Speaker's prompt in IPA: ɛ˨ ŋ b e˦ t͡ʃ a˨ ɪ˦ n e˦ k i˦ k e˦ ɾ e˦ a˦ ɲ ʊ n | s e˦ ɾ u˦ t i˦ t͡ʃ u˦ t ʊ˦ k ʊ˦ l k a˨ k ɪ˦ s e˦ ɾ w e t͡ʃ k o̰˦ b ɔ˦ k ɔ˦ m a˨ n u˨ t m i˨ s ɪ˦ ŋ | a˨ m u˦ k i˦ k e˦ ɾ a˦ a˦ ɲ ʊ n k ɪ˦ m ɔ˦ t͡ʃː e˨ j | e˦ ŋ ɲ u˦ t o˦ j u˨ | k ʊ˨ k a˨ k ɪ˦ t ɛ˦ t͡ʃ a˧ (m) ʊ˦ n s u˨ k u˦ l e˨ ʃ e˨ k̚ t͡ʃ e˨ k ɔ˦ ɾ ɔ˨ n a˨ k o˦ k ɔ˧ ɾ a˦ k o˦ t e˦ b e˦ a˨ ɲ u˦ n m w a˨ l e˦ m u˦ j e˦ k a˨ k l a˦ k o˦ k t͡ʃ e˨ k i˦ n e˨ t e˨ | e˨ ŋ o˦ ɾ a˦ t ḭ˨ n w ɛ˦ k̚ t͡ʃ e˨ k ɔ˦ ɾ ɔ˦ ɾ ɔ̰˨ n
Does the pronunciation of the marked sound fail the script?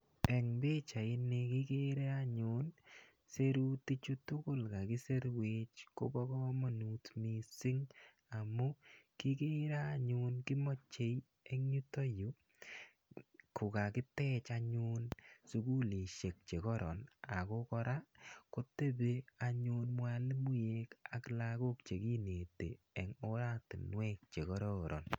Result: yes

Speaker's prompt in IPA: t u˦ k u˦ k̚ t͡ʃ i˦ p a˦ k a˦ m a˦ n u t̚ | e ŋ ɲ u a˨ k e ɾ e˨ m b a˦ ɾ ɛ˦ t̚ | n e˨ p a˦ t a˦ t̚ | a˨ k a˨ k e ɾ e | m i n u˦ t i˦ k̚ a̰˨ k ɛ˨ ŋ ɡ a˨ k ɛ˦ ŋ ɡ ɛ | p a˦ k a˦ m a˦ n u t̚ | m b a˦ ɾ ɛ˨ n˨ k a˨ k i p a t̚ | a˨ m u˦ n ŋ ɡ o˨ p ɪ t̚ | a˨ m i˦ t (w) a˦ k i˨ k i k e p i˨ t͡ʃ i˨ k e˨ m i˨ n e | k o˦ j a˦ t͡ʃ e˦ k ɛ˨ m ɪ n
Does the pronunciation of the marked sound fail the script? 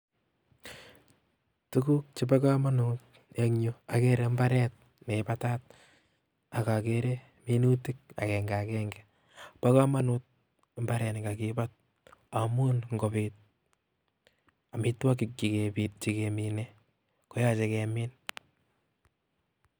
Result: no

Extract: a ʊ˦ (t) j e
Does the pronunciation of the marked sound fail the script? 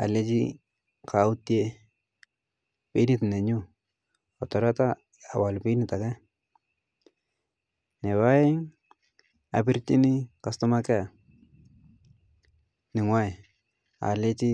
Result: no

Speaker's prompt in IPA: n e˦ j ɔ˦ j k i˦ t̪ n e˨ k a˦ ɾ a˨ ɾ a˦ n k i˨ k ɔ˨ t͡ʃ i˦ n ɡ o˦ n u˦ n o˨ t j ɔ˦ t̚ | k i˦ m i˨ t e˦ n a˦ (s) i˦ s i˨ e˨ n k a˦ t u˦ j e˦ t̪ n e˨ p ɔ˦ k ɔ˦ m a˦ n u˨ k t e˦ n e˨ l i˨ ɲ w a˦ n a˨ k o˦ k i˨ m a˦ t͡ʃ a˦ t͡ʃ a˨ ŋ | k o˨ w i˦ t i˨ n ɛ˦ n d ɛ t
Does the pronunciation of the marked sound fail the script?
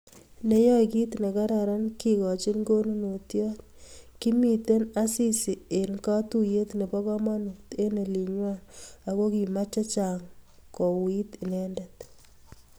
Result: no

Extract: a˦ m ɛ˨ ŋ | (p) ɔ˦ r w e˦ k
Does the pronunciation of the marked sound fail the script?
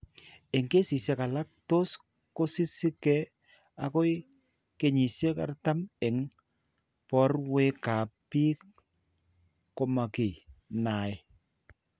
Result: no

